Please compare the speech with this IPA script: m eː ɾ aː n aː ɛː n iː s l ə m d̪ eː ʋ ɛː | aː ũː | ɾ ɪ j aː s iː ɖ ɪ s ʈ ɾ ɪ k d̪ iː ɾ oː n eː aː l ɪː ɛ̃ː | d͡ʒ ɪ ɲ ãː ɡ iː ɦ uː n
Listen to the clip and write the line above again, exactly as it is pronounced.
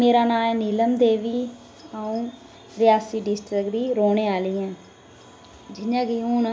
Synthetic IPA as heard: m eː ɾ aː n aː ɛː n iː l ə m d̪ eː ʋ iː | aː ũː | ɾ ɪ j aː s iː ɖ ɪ s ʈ ɾ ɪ k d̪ iː ɾ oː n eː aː l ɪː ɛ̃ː | d͡ʒ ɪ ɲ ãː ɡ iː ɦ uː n

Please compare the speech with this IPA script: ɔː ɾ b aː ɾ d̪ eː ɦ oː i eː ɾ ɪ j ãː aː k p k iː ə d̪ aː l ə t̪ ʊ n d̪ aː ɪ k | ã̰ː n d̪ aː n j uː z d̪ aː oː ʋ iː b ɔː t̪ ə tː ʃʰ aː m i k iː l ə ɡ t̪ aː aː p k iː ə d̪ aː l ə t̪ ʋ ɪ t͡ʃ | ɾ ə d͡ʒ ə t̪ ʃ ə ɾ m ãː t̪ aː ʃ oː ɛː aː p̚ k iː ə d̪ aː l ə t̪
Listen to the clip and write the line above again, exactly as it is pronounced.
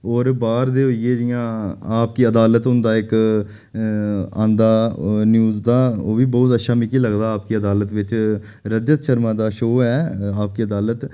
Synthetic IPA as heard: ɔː ɾ b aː ɾ d̪ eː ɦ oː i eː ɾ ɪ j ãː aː p k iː ə d̪ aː l ə t̪ ʊ n d̪ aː ɪ k | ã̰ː n d̪ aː n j uː z d̪ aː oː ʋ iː b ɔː t̪ ə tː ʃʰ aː m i k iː l ə ɡ d̪ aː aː p k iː ə d̪ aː l ə t̪ ʋ ɪ t͡ʃ | ɾ ə d͡ʒ ə t̪ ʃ ə ɾ m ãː d̪ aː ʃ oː ɛː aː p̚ k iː ə d̪ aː l ə t̪

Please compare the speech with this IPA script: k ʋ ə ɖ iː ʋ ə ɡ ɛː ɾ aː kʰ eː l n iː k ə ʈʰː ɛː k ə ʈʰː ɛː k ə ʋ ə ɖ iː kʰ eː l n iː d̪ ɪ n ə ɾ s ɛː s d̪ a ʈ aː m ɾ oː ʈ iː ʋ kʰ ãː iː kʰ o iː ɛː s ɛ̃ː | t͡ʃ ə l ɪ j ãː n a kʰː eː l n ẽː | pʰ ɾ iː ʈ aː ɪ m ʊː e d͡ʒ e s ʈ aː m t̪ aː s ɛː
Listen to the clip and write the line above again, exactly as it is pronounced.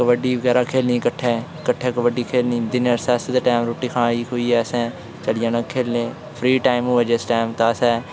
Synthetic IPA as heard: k ʋ ə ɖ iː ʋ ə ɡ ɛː ɾ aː kʰ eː l n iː k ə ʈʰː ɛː k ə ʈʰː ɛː k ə ʋ ə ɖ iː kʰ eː l n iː d̪ ɪ n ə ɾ s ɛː s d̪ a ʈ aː m ɾ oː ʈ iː kʰ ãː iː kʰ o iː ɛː s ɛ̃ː | t͡ʃ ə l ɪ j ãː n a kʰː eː l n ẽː | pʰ ɾ iː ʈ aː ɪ m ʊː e d͡ʒ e s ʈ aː m t̪ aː s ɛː

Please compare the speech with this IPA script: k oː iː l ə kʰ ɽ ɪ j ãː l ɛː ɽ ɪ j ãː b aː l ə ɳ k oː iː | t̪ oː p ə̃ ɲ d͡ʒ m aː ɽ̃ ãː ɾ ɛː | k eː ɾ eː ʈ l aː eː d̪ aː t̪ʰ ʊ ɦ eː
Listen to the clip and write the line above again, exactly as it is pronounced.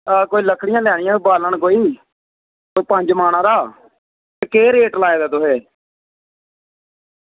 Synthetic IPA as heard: k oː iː l ə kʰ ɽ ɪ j ãː l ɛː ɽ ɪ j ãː b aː l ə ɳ k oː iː | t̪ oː p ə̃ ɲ d͡ʒ m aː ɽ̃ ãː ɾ aː | k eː ɾ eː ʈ l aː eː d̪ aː t̪ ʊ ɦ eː

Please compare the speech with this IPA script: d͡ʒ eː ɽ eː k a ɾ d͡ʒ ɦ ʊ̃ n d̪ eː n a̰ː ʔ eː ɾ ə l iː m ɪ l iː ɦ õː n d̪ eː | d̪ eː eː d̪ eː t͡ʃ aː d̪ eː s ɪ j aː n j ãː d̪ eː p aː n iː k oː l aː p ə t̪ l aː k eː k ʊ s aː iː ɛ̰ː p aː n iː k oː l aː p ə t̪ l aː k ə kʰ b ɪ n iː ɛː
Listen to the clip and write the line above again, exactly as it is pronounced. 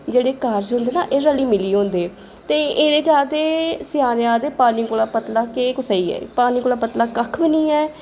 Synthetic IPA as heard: d͡ʒ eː ɽ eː k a ɾ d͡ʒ ɦ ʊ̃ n d̪ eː n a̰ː ʔ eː ɾ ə l iː m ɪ l iː ɦ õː n d̪ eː | t̪ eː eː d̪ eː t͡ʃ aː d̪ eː s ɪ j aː n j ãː d̪ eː p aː n iː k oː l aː p ə t̪ l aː k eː k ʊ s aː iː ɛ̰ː p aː n iː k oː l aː p ə t̪ l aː k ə kʰ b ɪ n iː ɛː

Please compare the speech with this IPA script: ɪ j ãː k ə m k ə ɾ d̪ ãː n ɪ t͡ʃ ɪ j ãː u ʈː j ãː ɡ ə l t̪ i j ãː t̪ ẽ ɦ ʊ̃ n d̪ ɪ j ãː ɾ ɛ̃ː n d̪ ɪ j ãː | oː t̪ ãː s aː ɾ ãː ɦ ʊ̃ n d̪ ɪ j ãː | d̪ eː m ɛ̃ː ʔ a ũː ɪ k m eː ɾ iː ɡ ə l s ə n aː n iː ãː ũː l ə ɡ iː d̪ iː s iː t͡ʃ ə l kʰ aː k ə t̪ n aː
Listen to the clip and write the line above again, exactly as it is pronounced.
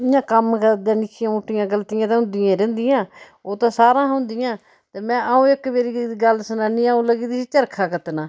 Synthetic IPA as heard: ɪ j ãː k ə m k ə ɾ d̪ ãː n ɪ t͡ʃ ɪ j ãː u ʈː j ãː ɡ ə l t̪ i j ãː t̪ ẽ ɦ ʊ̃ n d̪ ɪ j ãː ɾ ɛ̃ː n d̪ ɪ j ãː | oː t̪ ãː s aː ɾ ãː ɦ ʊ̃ n d̪ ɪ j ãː | t̪ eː m ɛ̃ː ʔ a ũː ɪ k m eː ɾ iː ɡ ə l s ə n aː n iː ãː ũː l ə ɡ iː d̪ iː s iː t͡ʃ ə ɾ kʰ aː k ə t̪ n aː

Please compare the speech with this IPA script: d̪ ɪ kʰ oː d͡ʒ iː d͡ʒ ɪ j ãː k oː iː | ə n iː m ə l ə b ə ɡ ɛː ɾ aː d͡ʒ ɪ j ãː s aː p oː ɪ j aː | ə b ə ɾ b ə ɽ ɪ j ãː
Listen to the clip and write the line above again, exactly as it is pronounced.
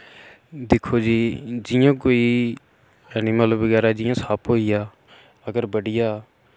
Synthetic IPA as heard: d̪ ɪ kʰ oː d͡ʒ iː d͡ʒ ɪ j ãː k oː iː | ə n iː m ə l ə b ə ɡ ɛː ɾ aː d͡ʒ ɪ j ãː s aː p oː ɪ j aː | ə ɡ ə ɾ b ə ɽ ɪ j aː

